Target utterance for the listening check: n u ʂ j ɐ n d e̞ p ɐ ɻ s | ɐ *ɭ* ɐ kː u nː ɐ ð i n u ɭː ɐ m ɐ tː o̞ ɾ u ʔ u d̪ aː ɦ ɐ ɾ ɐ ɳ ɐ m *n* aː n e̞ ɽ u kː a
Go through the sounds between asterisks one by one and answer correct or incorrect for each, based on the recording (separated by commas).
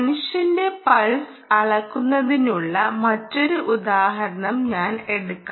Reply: correct, incorrect